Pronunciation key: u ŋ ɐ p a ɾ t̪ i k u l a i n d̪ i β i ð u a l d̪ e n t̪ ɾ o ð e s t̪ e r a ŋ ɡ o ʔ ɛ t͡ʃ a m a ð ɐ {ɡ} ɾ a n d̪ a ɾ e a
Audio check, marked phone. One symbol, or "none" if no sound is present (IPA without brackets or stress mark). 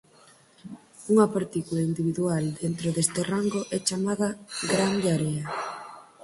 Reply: ɡ